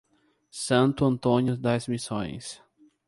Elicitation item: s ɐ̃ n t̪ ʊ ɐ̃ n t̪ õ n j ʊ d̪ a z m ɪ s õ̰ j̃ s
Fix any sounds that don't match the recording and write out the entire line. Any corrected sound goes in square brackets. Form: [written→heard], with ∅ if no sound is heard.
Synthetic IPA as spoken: s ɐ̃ n t̪ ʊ ɐ̃ n t̪ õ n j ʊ d̪ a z m [ɪ→i] s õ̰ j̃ s